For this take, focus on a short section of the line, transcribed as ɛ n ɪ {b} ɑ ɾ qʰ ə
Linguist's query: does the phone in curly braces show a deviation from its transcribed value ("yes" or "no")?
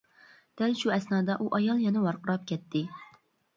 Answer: yes